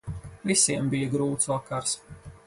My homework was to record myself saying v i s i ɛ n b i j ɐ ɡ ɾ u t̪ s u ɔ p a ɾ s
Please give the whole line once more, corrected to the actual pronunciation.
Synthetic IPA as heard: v i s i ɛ m b i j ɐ ɡ ɾ uː t̪ s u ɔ k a ɾ s